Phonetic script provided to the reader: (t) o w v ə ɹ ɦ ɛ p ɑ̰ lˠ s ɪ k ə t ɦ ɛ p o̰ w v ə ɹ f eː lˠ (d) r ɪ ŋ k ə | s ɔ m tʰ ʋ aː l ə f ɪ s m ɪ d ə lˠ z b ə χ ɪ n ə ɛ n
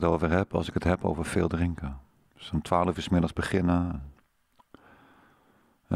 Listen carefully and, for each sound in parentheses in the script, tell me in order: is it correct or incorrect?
correct, correct

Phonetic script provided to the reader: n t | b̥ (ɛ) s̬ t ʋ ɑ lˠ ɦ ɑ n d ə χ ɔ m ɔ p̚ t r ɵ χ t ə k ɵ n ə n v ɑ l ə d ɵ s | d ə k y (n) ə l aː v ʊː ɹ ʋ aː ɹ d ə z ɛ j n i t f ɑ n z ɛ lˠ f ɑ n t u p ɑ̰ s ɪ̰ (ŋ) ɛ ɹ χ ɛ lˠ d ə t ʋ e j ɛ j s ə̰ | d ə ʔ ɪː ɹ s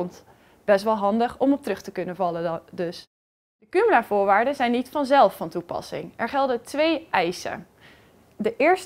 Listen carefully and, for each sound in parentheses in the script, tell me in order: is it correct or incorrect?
correct, incorrect: m, correct

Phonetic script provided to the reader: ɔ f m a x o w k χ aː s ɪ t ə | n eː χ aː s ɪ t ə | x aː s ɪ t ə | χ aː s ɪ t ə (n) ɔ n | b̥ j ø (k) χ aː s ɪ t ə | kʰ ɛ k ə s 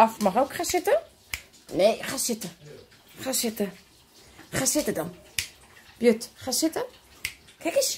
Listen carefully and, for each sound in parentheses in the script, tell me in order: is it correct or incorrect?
incorrect: d, incorrect: t

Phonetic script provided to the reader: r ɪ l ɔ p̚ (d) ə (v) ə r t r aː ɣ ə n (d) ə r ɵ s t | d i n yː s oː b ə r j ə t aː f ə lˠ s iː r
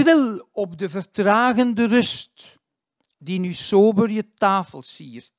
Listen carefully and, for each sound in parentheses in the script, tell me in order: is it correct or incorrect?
correct, correct, correct

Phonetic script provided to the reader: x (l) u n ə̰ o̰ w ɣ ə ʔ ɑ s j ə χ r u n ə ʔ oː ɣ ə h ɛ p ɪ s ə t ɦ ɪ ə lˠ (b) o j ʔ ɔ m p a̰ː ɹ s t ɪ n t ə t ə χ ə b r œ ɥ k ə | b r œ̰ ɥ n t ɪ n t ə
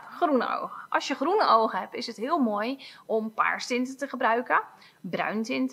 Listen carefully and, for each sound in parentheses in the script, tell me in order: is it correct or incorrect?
incorrect: r, incorrect: m

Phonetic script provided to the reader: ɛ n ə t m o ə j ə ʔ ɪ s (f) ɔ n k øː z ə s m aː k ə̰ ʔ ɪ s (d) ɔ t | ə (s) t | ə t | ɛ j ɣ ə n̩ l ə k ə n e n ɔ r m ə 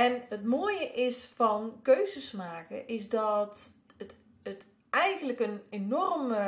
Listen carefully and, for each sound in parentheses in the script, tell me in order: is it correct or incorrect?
correct, correct, incorrect: none

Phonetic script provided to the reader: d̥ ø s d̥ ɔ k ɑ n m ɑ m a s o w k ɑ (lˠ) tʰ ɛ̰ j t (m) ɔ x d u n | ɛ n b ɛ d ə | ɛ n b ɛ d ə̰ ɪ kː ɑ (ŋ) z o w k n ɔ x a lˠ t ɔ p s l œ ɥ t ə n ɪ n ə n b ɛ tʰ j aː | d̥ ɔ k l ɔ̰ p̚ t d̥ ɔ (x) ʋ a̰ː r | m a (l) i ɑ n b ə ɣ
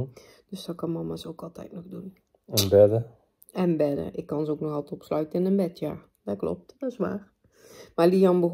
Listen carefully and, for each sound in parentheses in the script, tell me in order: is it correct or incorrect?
correct, incorrect: n, incorrect: n, incorrect: s, correct

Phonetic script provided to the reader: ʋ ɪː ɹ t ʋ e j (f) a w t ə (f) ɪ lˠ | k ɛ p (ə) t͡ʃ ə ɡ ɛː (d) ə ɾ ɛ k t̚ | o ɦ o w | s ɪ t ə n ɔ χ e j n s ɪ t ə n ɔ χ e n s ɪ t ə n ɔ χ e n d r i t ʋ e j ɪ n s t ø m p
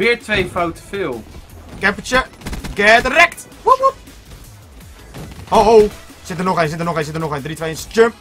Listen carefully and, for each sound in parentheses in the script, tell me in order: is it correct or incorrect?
correct, correct, correct, correct

